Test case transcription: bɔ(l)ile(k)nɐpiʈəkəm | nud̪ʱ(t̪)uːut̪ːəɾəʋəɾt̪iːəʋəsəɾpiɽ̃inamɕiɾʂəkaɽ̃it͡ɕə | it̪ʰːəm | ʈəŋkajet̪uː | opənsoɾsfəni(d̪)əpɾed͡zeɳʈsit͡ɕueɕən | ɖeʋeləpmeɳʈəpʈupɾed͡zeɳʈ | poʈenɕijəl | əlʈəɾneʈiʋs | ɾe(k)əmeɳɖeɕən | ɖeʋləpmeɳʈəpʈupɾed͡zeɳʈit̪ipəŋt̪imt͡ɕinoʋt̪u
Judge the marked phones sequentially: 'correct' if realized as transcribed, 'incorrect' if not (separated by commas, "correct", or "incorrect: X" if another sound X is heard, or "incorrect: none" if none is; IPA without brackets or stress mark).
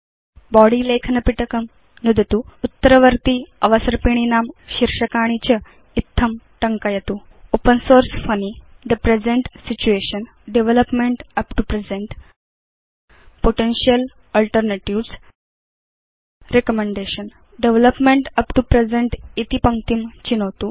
incorrect: ɽ, incorrect: kʰ, correct, correct, correct